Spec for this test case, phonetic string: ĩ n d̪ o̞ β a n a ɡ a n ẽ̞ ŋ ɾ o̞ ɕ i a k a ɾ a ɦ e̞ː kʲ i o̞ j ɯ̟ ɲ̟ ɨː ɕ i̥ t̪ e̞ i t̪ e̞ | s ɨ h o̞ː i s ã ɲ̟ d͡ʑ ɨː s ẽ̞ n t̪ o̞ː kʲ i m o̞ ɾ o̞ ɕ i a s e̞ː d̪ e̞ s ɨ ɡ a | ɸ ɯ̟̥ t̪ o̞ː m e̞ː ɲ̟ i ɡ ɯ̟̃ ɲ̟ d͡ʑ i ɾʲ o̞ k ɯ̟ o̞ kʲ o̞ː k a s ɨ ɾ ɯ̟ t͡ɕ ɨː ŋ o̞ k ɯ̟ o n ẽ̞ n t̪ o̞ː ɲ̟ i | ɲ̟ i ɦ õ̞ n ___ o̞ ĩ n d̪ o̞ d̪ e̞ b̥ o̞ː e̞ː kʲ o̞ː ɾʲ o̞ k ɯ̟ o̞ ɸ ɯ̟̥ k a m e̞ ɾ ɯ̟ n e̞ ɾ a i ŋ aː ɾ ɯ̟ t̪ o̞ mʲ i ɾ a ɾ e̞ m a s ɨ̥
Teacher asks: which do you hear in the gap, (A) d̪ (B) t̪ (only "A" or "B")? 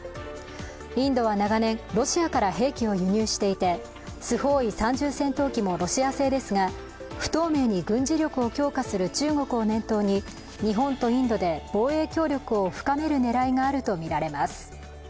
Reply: B